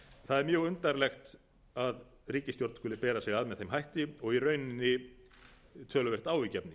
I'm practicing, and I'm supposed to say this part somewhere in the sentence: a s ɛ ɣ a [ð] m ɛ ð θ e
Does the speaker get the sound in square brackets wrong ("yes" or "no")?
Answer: no